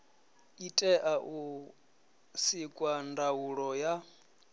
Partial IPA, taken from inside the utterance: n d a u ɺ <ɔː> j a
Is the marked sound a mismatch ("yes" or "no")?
yes